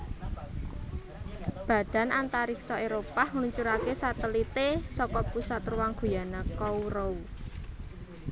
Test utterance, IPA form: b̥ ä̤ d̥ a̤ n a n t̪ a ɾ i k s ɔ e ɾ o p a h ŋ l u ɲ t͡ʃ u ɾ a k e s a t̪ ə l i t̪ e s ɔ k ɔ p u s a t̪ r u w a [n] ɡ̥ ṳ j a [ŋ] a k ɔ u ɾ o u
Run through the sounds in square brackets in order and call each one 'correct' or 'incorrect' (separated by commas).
incorrect, incorrect